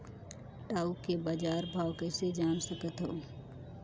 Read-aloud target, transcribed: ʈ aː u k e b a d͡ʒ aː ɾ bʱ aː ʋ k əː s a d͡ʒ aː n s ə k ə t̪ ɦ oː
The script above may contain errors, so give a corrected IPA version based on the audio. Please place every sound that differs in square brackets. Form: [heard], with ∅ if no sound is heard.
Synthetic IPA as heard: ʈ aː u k e b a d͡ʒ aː ɾ bʱ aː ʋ k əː s [e] d͡ʒ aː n s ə k ə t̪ ɦ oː